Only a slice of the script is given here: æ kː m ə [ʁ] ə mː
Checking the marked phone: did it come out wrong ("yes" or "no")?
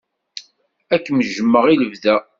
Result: yes